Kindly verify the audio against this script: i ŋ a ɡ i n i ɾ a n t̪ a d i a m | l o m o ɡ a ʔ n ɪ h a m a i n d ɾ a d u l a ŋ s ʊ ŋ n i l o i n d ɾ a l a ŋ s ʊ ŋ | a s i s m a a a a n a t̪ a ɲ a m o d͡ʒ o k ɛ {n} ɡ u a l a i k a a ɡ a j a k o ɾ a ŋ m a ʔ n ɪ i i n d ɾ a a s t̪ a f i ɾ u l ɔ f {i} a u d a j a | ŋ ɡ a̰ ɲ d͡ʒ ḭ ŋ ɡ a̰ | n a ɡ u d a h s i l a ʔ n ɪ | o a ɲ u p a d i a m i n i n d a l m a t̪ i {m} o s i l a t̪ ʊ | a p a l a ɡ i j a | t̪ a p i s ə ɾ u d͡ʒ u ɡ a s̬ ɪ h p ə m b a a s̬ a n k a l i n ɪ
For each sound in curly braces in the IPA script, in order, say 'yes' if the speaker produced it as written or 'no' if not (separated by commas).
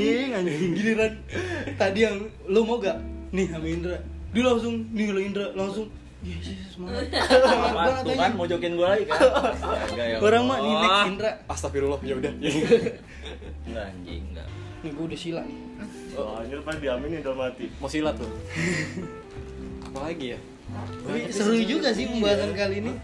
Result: yes, no, yes